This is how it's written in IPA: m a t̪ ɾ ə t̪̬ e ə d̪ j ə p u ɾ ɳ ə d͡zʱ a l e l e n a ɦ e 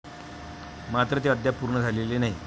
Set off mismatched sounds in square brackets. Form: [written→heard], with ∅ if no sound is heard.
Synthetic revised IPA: m a t̪ ɾ ə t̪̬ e ə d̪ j [ə→a] p u ɾ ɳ ə d͡zʱ a l e l e n a ɦ [e→i]